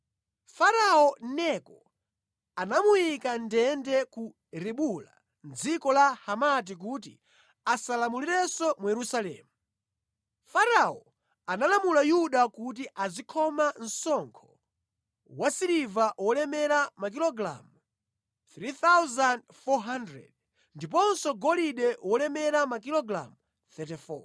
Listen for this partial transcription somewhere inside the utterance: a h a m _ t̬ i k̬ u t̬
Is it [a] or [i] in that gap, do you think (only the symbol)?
a